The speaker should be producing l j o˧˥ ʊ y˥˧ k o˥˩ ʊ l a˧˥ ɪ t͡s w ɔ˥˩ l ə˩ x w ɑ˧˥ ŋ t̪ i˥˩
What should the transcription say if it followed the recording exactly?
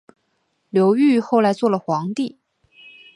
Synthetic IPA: l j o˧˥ ʊ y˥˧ x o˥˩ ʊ l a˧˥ ɪ t͡s w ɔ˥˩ l ə˩ x w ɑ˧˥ ŋ t̪ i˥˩

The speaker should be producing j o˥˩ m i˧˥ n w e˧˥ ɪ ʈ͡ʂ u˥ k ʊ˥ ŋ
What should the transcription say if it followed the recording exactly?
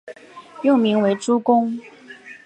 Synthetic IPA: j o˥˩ m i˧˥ ŋ w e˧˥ ɪ ʈ͡ʂ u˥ k ʊ˥ ŋ

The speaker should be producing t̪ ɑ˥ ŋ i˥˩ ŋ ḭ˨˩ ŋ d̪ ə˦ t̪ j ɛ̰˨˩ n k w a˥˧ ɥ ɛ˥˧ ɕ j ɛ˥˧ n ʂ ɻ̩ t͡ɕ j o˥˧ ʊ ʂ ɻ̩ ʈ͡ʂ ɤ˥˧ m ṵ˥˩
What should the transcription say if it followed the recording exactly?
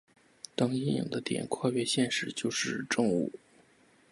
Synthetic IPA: t̪ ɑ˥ ŋ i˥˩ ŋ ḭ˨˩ ŋ d̪ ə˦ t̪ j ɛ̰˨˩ n kʰ w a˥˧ ɥ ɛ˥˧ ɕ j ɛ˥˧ n ʂ ɻ̩ t͡ɕ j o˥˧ ʊ ʂ ɻ̩ ʈ͡ʂ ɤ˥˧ ŋ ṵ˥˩

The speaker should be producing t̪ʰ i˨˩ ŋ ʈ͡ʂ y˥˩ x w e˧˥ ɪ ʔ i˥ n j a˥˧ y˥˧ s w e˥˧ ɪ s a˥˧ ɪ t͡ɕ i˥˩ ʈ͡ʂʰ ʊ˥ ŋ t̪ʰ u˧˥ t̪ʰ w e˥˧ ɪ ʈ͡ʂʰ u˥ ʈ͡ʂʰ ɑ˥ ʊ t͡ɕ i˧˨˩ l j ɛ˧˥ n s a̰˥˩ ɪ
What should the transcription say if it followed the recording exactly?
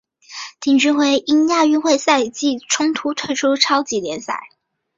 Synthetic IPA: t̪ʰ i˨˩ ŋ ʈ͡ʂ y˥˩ x w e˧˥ ɪ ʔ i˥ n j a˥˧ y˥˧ x w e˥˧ ɪ s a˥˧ ɪ t͡ɕ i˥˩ ʈ͡ʂʰ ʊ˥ ŋ t̪ʰ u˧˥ t̪ʰ w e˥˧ ɪ ʈ͡ʂʰ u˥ ʈ͡ʂʰ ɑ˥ ʊ t͡ɕ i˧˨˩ l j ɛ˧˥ n s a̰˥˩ ɪ

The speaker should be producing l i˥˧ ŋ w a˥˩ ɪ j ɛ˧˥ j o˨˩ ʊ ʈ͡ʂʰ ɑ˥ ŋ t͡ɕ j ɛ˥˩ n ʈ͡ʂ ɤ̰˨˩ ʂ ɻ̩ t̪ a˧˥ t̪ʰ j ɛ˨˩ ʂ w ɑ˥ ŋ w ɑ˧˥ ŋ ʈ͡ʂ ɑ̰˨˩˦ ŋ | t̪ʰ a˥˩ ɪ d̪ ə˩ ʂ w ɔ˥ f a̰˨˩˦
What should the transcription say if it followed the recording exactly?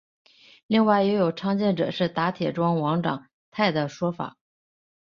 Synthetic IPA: l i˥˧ ŋ w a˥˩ ɪ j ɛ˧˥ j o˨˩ ʊ ʈ͡ʂʰ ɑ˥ ŋ t͡ɕ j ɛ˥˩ n ʈ͡ʂ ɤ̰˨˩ ʂ ɻ̩ t̪ a˧˥ t̪ʰ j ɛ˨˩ ʈ͡ʂ w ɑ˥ ŋ w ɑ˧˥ ŋ ʈ͡ʂ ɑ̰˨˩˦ ŋ | t̪ʰ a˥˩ ɪ d̪ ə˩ ʂ w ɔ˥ f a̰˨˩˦

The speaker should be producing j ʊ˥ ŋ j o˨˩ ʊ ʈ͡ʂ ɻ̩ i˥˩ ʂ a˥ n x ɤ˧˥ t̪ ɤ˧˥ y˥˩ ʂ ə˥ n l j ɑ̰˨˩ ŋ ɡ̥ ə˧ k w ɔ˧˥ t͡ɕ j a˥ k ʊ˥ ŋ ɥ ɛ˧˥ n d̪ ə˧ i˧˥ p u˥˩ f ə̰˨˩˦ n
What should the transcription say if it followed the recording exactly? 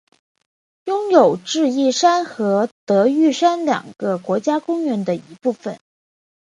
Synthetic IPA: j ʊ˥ ŋ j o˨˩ ʊ ʈ͡ʂ ɻ̩ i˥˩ ʂ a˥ n x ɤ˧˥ t̪ ɤ˧˥ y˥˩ ʂ a˥ n l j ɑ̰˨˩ ŋ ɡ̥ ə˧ k w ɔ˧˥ t͡ɕ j a˥ k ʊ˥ ŋ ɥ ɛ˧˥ n d̪ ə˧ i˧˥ p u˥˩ f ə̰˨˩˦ n

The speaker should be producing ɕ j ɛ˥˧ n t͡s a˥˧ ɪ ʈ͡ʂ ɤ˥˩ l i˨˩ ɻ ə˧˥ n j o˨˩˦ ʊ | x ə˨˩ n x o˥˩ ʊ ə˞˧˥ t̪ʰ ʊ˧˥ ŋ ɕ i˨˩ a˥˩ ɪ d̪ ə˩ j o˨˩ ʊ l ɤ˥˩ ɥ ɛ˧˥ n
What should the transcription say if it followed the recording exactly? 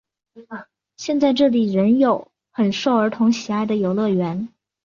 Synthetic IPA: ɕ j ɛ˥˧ n t͡s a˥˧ ɪ ʈ͡ʂ ɤ˥˩ l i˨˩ ɻ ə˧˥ n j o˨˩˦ ʊ | x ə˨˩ n ʂ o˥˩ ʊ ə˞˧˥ t̪ʰ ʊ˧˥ ŋ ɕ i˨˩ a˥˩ ɪ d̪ ə˩ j o˨˩ ʊ l ɤ˥˩ ɥ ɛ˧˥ n

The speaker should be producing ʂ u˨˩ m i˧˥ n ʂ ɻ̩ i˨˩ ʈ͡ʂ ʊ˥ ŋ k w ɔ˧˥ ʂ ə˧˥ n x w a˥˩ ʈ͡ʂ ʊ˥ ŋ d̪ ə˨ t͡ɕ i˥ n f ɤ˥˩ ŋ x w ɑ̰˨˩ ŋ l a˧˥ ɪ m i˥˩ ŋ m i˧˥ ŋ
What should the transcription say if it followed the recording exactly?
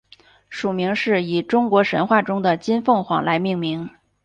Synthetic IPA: ʂ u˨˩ m i˧˥ ŋ ʂ ɻ̩ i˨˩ ʈ͡ʂ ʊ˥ ŋ k w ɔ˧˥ ʂ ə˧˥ n x w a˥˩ ʈ͡ʂ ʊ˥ ŋ d̪ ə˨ t͡ɕ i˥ n f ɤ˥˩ ŋ x w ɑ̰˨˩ ŋ l a˧˥ ɪ m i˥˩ ŋ m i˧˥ ŋ

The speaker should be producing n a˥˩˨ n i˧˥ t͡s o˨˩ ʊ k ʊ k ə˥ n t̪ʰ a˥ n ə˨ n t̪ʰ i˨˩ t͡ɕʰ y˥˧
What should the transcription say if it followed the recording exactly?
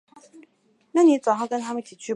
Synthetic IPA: n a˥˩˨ n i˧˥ t͡s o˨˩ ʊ x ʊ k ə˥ n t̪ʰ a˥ m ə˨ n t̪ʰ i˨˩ t͡ɕʰ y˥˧

